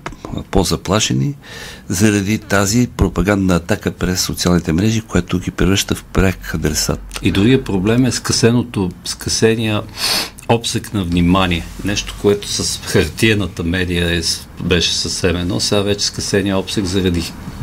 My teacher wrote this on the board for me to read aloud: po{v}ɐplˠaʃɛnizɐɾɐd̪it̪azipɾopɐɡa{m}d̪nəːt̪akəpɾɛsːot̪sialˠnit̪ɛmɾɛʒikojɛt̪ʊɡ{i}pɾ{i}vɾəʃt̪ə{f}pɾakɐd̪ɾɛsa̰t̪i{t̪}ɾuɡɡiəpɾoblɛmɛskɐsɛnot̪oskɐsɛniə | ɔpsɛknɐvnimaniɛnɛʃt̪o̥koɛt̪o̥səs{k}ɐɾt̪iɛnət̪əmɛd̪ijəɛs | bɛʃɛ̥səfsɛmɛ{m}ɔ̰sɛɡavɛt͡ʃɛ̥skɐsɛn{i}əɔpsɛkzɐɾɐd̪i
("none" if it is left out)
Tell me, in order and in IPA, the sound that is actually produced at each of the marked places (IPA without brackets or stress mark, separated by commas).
z, n, i, ɛ, f, d̪, x, n, i